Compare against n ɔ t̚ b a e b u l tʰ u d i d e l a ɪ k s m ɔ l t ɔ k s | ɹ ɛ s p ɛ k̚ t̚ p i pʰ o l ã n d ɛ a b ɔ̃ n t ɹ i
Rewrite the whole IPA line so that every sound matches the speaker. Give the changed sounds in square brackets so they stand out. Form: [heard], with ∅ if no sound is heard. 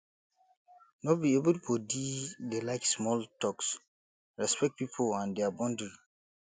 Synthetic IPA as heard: n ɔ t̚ b [i] e b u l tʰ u d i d e l a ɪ k s m ɔ l t ɔ k s | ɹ ɛ s p ɛ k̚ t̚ p i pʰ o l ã n d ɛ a b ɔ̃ n [d] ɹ i